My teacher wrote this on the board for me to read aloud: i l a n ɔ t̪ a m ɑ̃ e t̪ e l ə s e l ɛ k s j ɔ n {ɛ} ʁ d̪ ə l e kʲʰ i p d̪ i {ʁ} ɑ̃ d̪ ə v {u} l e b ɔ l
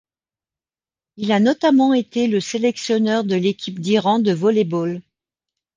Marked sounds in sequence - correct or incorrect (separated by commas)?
incorrect, correct, incorrect